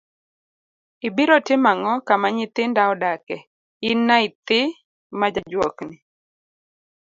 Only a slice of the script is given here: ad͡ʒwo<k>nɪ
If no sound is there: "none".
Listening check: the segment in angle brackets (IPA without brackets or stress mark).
k